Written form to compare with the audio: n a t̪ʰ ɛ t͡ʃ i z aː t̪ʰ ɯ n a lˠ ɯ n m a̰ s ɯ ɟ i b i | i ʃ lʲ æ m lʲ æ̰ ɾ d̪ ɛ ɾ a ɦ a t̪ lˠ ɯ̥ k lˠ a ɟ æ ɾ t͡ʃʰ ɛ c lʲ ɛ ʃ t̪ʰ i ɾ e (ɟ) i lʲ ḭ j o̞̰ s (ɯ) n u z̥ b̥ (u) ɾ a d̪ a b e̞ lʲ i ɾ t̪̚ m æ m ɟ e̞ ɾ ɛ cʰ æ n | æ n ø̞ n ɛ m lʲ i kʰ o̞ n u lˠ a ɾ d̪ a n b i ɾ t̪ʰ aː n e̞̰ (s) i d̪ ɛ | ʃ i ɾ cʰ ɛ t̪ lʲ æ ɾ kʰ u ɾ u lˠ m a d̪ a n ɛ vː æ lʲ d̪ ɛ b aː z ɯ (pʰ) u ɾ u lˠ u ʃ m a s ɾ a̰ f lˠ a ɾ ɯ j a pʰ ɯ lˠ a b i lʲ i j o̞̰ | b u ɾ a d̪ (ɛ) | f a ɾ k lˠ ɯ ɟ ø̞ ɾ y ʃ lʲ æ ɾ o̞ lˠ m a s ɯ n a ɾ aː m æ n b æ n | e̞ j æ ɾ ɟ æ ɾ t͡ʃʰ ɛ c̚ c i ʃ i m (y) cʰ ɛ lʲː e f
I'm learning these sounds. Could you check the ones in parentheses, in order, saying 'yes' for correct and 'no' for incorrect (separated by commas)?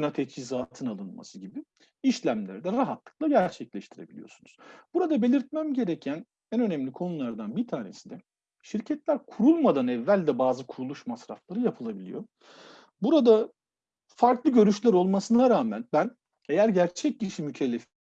no, no, yes, yes, no, no, yes